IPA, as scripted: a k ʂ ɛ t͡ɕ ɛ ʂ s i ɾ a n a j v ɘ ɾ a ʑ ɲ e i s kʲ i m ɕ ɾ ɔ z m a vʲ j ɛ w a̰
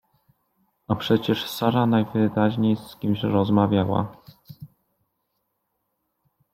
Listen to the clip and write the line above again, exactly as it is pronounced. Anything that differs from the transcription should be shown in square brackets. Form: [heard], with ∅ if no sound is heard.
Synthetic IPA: a [p] ʂ ɛ t͡ɕ ɛ ʂ s [a] ɾ a n a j v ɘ ɾ a ʑ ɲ e [j] s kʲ i m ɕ ɾ ɔ z m a vʲ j [a] w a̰

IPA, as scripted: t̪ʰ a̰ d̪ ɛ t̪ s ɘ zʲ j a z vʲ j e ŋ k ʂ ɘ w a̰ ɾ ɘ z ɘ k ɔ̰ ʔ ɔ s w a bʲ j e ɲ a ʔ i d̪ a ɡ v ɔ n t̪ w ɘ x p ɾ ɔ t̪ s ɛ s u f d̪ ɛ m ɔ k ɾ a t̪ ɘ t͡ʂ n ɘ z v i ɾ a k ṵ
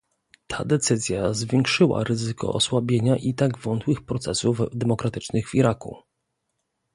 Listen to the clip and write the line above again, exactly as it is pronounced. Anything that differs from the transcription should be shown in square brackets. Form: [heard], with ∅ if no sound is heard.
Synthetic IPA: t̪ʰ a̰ d̪ ɛ t̪ s ɘ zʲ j a z vʲ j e ŋ k ʂ ɘ w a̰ ɾ ɘ z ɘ k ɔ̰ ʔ ɔ s w a bʲ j e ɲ a ʔ i [t̪] a ɡ v ɔ n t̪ w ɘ x p ɾ ɔ t̪ s ɛ s u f d̪ ɛ m ɔ k ɾ a t̪ ɘ t͡ʂ n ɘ [ɣ] v i ɾ a k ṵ

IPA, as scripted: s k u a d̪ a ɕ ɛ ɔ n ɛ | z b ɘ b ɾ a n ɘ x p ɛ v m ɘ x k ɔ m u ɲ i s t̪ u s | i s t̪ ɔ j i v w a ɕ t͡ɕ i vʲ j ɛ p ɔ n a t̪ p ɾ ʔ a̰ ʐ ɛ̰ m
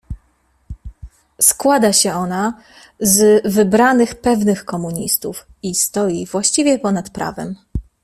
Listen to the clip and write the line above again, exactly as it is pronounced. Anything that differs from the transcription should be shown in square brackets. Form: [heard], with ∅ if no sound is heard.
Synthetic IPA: s k [w] a d̪ a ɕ ɛ ɔ n [a] | z [v] ɘ b ɾ a n ɘ x p ɛ v [n] ɘ x k ɔ m u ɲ i s t̪ u [f] | i s t̪ ɔ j i v w a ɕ t͡ɕ i vʲ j ɛ p ɔ n a t̪ p ɾ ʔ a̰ [v] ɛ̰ m

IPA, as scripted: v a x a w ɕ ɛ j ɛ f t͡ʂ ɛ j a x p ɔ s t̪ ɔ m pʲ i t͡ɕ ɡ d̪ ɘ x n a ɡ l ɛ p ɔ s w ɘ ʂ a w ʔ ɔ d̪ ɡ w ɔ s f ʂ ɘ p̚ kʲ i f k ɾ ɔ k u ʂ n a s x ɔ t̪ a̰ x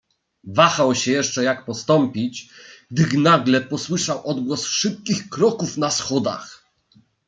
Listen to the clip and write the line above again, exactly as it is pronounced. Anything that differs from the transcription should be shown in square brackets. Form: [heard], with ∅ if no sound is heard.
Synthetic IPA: v a x a w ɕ ɛ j ɛ [ʂ] t͡ʂ ɛ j a [k] p ɔ s t̪ ɔ m pʲ i t͡ɕ ɡ d̪ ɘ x n a ɡ l ɛ p ɔ s w ɘ ʂ a w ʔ ɔ d̪ ɡ w ɔ s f ʂ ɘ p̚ kʲ i [x] k ɾ ɔ k u [f] n a s x ɔ [d̪] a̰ x

